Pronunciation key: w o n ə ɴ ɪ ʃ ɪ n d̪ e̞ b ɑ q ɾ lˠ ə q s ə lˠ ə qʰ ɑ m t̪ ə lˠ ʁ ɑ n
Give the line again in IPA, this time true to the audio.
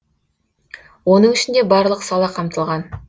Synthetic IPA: w o n ə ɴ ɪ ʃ ɪ n d̪ e̞ b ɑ ɾ lˠ ə q s ɑ lˠ ɑ qʰ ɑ m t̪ ə lˠ ʁ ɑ n

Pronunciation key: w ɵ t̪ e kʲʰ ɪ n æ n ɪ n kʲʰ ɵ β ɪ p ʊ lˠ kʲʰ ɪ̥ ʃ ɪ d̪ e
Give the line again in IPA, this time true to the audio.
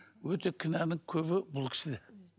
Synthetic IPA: w ɵ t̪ e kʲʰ ɪ n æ n ɪ ŋ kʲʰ ɵ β ɪ b ʊ lˠ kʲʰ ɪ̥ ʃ ɪ d̪ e

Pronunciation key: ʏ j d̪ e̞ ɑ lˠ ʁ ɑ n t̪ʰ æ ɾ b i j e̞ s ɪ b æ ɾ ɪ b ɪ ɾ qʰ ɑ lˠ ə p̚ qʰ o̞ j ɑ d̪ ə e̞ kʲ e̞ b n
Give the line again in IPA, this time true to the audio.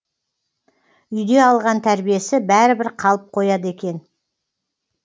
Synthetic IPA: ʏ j d̪ e̞ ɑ lˠ ʁ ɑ n t̪ʰ æ ɾ b i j e̞ s ɪ b æ ɾ ɪ b ɪ ɾ qʰ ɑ lˠ ə p̚ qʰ o̞ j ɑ d̪ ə e̞ kʲ e̞ n

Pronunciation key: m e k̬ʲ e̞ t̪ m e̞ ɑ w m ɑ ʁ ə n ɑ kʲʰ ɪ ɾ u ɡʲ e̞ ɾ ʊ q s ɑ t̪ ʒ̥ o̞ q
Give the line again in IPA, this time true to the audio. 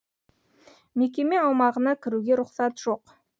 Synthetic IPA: m e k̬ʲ e̞ m e̞ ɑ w m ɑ ʁ ə n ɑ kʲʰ ɪ ɾ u ɡʲ e̞ ɾ ʊ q s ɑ t̪ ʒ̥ o̞ q

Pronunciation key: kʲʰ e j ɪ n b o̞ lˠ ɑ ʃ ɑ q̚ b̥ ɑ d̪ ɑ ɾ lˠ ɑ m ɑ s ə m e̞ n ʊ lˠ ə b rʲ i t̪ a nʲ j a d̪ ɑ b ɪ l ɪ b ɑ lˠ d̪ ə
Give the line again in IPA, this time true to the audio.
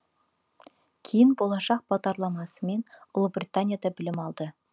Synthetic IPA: kʲʰ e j ɪ n b o̞ lˠ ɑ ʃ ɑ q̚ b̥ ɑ d̪ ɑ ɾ lˠ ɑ m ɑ s ə m e̞ n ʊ lˠ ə b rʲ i t̪ a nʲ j a d̪ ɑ b ɪ l ɪ m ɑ lˠ d̪ ə

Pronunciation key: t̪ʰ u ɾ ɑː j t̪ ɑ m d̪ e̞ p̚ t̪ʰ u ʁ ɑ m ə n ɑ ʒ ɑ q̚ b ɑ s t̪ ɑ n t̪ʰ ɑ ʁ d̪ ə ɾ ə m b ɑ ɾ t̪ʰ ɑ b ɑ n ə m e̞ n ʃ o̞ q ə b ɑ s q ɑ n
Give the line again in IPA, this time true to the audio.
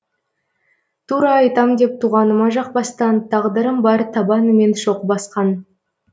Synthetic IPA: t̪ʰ u ɾ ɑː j t̪ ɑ m d̪ e̞ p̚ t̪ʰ u ʁ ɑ n ə m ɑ ʒ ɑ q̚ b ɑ s t̪ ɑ n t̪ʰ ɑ ʁ d̪ ə ɾ ə m b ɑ ɾ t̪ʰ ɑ b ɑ n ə m e̞ n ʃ o̞ q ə b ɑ s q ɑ n

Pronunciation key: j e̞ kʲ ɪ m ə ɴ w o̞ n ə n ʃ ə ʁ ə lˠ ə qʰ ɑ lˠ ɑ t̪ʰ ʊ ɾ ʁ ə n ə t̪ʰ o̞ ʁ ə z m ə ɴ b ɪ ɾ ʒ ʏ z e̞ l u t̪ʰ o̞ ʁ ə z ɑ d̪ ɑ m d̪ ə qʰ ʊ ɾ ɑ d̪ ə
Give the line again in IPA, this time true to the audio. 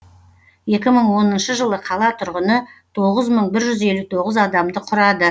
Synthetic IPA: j e̞ kʲ ɪ m ə ɴ w o̞ n ə n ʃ ə ʒ ə lˠ ə qʰ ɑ lˠ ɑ t̪ʰ ʊ ɾ ʁ ə n ə t̪ʰ o̞ ʁ ə z m ə ɴ b ɪ ɾ ʒ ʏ z e̞ l u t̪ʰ o̞ ʁ ə z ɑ d̪ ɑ m d̪ ə qʰ ʊ ɾ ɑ d̪ ə

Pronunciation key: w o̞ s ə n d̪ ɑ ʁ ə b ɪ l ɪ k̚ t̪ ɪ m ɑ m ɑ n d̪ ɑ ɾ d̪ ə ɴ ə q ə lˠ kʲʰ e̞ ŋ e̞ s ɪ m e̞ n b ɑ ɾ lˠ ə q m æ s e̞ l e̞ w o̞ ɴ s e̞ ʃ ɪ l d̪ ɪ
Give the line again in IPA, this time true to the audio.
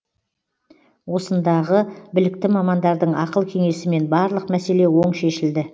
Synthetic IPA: w o̞ s ə n d̪ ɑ ʁ ə b ɪ l ɪ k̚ t̪ ɪ m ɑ m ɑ n d̪ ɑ ɾ d̪ ə ɴ ɑ q ə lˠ kʲʰ e̞ ŋ e̞ s ɪ m e̞ n b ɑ ɾ lˠ ə q m æ s e̞ l e̞ w o̞ ɴ ʃ e̞ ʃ ɪ l d̪ ɪ

